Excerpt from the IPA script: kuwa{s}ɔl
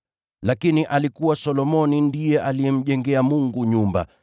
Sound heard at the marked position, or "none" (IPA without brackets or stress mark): s